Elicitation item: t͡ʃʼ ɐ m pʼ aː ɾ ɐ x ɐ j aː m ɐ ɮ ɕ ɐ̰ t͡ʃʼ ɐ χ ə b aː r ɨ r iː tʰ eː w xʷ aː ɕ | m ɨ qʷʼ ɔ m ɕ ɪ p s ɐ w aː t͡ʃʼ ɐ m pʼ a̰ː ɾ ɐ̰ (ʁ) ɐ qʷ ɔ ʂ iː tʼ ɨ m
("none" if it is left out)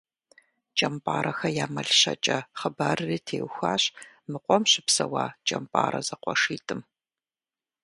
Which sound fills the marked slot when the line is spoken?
z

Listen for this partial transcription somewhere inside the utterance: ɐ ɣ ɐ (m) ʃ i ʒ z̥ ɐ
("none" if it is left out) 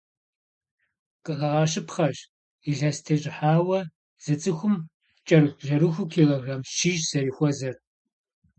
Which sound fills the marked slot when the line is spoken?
m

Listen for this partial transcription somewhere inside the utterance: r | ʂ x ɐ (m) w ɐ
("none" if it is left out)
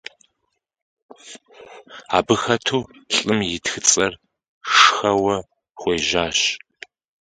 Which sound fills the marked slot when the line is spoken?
none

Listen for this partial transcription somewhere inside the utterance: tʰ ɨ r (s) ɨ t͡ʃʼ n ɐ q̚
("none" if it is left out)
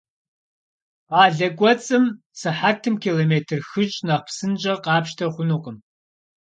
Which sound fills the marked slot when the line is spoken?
x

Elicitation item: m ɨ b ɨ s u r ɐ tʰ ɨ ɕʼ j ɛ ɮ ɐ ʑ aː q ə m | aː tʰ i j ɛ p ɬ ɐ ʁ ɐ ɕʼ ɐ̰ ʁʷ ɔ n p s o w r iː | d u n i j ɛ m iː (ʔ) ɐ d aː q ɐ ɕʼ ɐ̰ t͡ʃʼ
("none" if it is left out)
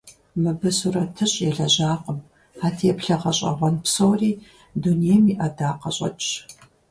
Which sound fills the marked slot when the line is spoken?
ʔ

